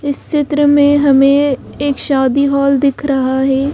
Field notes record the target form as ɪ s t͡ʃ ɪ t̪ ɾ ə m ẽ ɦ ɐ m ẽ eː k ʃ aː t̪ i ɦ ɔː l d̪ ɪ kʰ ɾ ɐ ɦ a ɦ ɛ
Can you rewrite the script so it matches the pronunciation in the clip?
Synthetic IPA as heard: ɪ s t͡ʃ ɪ t̪ ɾ ə m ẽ ɦ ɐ m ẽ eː k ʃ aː d̪ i ɦ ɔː l d̪ ɪ kʰ ɾ ɐ ɦ a ɦ ɛː